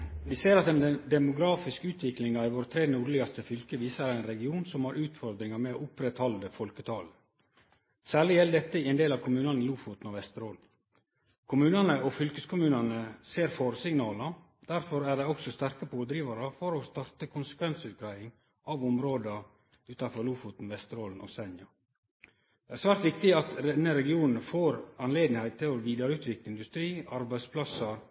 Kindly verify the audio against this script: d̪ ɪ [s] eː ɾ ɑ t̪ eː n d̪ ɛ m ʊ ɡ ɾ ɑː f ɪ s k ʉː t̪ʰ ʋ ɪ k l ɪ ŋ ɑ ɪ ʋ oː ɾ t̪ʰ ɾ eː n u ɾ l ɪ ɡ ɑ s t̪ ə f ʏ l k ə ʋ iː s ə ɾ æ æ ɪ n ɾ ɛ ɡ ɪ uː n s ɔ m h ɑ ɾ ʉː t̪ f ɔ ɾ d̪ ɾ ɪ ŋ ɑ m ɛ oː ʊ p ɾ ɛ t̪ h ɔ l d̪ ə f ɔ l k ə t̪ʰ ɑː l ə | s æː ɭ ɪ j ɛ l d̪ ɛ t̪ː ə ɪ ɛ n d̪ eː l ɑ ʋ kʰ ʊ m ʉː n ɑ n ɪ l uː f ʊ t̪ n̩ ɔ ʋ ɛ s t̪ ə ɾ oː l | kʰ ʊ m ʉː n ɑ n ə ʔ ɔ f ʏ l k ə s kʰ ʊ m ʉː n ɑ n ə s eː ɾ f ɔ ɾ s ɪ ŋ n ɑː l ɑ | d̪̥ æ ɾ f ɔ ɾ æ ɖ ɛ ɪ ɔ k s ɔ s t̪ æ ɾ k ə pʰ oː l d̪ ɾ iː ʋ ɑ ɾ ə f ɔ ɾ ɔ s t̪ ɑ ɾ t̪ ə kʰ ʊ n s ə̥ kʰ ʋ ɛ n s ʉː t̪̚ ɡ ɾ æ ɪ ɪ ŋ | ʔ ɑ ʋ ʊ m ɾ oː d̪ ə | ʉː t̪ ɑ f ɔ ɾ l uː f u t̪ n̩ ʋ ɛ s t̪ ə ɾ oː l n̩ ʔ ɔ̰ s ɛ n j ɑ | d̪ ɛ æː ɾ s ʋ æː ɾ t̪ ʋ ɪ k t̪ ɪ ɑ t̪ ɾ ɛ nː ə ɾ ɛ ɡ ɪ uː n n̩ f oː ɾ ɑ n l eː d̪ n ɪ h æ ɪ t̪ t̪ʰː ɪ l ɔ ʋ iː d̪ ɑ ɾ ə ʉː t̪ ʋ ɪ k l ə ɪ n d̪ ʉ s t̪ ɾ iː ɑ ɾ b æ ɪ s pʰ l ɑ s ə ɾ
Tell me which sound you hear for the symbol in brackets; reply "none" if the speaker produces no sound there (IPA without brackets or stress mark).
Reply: s